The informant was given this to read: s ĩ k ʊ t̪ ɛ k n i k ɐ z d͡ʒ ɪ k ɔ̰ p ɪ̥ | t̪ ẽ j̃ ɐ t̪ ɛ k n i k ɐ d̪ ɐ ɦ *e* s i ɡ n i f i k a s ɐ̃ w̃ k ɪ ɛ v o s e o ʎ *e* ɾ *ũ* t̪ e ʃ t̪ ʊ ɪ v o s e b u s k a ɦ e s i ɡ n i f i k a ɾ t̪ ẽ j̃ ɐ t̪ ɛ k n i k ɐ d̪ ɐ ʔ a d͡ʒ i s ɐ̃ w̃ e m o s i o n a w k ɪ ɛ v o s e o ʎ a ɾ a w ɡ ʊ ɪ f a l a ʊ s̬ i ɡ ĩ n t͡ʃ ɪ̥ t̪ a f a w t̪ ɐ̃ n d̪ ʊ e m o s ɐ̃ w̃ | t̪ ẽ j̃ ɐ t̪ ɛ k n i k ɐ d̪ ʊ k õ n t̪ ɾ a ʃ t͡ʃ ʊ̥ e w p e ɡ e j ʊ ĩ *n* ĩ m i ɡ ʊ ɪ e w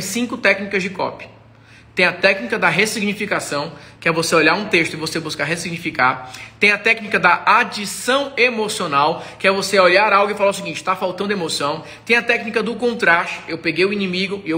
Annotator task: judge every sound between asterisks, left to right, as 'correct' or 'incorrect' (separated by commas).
correct, incorrect, correct, correct